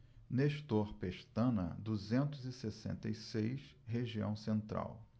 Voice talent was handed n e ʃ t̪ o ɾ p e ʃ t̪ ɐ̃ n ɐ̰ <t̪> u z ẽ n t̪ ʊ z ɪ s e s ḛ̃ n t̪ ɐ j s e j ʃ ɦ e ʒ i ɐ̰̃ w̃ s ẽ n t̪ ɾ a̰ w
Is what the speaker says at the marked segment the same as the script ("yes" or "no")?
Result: no